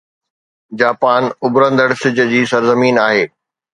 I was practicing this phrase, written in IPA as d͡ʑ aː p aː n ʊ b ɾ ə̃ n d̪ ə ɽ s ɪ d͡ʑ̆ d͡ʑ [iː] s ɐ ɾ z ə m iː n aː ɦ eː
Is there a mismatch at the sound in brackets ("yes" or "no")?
no